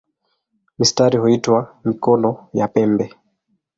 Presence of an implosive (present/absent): absent